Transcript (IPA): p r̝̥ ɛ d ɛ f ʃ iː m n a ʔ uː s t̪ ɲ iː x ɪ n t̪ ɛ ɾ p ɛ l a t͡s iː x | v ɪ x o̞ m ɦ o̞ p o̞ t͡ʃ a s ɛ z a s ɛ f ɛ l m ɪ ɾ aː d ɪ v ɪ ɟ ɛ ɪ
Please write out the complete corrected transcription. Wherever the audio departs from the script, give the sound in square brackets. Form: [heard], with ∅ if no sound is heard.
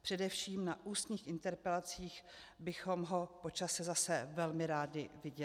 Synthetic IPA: p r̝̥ ɛ d ɛ f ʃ iː m n a ʔ uː s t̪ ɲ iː x ɪ n t̪ ɛ ɾ p ɛ l a t͡s iː x | [b] ɪ x o̞ m ɦ o̞ p o̞ t͡ʃ a s ɛ z a s ɛ [v] ɛ l m ɪ ɾ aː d ɪ v ɪ ɟ ɛ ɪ